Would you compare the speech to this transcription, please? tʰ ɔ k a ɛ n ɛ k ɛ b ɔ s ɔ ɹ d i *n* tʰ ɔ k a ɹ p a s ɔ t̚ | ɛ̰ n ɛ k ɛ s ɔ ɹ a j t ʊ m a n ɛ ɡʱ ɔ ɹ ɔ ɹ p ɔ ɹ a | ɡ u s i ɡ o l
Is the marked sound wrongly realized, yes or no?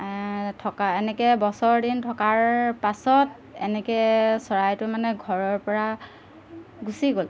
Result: no